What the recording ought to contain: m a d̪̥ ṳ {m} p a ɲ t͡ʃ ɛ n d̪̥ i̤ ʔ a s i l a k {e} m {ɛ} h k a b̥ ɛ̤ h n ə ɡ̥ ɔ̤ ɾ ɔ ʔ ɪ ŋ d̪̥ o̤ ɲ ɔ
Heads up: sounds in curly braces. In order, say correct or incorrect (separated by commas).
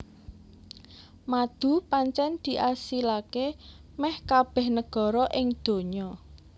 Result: incorrect, correct, correct